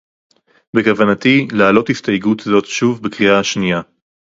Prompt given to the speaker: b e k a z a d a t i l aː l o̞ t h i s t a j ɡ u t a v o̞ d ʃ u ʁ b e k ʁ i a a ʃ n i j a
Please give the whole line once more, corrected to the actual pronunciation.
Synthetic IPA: b e k a v a n a t i l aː l o̞ t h i s t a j ɡ u t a z o̞ t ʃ u v b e k ʁ i a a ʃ n i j a